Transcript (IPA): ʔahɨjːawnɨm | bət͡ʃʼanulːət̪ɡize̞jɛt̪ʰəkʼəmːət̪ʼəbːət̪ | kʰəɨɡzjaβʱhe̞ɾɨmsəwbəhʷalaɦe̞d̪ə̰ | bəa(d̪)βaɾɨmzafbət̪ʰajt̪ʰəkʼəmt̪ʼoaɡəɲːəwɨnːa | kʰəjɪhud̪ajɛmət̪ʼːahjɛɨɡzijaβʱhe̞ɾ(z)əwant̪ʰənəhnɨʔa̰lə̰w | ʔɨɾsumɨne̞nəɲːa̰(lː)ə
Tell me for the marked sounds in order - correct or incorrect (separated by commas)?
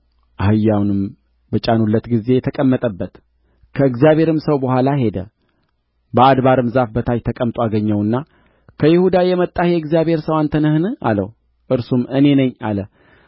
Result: correct, incorrect, incorrect